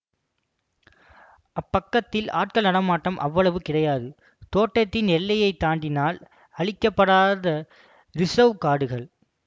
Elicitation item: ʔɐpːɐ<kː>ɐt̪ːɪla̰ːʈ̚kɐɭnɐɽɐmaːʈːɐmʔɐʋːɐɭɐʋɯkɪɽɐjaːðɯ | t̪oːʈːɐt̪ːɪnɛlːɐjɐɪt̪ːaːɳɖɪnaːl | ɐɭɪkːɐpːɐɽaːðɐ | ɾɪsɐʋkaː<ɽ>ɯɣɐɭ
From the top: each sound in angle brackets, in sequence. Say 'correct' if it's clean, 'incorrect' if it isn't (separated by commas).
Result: correct, correct